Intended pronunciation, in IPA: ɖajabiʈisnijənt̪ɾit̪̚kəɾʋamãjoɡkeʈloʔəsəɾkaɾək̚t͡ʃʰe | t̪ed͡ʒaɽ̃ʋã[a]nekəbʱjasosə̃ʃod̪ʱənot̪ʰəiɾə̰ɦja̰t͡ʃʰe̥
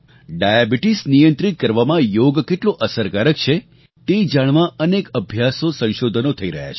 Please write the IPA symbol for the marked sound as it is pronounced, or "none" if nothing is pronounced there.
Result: ə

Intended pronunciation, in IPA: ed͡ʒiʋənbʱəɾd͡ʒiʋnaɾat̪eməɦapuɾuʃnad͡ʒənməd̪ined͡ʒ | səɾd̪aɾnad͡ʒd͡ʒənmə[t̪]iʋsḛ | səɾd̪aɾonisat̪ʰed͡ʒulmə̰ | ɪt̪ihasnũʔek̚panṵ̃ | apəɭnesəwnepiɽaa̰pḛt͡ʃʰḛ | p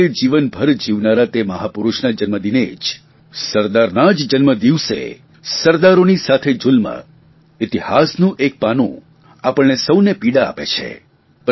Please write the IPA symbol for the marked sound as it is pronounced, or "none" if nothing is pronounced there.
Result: d̪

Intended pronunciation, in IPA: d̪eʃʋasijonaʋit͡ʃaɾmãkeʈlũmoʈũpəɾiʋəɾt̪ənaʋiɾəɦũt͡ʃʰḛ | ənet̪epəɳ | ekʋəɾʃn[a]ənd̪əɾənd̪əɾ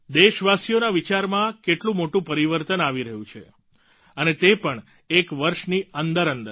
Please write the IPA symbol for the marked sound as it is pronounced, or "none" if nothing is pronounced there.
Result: i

